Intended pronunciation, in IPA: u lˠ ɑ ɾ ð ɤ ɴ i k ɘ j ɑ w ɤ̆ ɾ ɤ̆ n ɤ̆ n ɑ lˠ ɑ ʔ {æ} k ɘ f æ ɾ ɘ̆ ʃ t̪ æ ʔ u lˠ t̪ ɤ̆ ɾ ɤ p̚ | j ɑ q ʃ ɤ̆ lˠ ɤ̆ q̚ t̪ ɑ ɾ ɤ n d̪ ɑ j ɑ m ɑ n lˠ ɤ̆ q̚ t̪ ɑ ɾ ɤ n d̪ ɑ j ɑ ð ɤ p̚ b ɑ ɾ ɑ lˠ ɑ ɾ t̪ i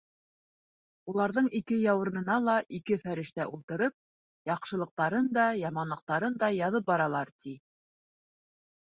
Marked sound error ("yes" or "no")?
yes